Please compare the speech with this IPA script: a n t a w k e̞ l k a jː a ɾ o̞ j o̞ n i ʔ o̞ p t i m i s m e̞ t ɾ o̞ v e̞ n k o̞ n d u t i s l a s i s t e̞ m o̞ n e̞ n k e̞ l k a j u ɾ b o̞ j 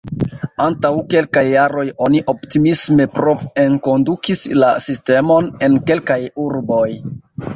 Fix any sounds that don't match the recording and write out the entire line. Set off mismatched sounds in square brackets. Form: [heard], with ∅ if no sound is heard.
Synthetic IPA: a n t a w k e̞ l k a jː a ɾ o̞ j o̞ n i ʔ o̞ p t i m i s m e̞ [p] ɾ o̞ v e̞ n k o̞ n d u [k] i s l a s i s t e̞ m o̞ n e̞ n k e̞ l k a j u ɾ b o̞ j